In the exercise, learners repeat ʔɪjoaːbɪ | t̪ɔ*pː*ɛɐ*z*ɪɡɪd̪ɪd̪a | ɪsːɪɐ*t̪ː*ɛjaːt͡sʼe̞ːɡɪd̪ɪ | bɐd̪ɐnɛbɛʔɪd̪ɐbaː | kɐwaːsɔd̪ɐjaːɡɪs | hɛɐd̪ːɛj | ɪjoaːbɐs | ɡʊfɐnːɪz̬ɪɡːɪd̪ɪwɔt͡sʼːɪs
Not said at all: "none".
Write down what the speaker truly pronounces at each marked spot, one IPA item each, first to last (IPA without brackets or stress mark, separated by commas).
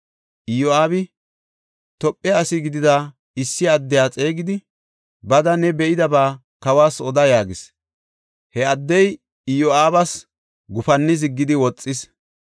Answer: pʼː, s, d̪ː